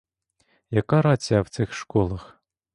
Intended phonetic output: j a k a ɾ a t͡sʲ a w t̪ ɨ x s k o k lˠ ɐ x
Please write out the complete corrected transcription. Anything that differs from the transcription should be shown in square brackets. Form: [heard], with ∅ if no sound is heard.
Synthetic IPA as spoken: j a k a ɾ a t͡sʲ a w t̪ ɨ x [ʂ] k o [∅] lˠ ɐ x